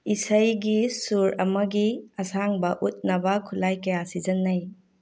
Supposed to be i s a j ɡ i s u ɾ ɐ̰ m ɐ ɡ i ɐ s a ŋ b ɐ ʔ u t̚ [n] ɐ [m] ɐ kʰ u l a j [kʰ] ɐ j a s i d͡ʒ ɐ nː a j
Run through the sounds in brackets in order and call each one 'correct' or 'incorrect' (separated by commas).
correct, incorrect, incorrect